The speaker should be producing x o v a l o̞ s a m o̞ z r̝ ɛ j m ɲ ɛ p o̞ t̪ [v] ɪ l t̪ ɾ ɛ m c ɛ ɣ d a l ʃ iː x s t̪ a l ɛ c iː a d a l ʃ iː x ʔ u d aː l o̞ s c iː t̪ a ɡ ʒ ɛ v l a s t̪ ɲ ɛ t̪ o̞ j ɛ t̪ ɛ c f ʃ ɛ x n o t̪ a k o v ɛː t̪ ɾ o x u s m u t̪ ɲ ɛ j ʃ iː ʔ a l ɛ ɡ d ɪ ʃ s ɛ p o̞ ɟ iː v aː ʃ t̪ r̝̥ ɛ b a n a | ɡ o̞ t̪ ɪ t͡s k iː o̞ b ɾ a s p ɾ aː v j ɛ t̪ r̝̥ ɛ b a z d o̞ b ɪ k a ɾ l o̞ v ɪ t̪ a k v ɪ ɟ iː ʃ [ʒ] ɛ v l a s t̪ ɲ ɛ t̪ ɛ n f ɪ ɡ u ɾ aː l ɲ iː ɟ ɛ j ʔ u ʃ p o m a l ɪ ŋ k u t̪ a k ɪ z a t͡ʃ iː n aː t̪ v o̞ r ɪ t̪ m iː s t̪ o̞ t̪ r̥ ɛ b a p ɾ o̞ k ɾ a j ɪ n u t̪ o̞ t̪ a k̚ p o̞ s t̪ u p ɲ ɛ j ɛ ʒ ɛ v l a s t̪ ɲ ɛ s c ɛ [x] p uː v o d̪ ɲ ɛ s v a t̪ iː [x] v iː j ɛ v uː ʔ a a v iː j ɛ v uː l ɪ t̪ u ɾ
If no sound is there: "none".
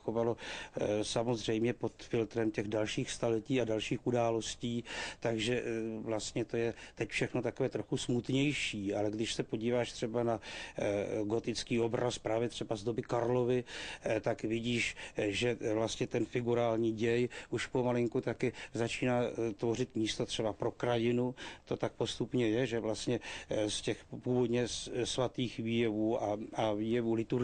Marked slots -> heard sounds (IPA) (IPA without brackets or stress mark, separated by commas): f, ʒ, x, x